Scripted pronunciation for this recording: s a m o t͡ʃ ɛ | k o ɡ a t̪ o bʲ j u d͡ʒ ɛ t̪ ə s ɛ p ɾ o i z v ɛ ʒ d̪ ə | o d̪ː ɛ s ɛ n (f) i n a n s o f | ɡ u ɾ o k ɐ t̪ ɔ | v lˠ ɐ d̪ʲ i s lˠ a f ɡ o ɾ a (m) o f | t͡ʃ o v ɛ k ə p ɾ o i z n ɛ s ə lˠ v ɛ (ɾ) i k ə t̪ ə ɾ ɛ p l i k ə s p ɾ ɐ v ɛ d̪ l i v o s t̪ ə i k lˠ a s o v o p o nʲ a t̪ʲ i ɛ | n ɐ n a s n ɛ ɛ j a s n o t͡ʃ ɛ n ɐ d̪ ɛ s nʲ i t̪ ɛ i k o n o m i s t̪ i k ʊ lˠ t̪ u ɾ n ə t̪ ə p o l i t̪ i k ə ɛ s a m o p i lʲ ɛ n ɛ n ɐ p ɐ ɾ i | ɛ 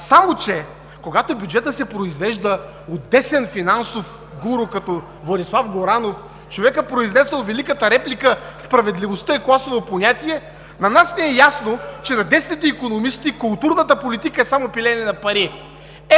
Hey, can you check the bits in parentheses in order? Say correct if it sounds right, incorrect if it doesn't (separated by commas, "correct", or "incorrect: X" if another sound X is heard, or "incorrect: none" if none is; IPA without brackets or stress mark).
correct, incorrect: n, incorrect: l